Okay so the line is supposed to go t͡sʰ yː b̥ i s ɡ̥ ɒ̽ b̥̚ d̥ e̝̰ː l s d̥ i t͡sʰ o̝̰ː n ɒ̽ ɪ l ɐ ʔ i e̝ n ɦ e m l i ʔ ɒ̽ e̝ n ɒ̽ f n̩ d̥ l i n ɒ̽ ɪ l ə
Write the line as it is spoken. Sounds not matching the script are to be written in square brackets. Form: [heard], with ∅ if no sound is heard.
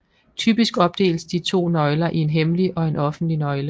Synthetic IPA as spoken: t͡sʰ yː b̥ i s ɡ̥ ɒ̽ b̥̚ d̥ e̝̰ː l s d̥ i t͡sʰ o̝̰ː n ɒ̽ ɪ l ɐ ʔ i e̝ n ɦ e m l i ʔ ɒ̽ e̝ n ɒ̽ f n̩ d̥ l i n ɒ̽ ɪ l ə